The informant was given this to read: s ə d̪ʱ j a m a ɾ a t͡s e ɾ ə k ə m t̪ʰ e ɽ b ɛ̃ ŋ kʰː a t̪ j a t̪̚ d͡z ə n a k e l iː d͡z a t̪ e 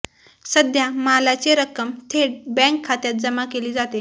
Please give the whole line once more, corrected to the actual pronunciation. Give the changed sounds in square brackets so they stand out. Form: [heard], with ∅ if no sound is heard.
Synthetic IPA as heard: s ə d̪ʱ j a m a [l] a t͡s e ɾ ə k ə m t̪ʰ e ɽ b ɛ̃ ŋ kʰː a t̪ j a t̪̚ d͡z ə [m] a k e l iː d͡z a t̪ e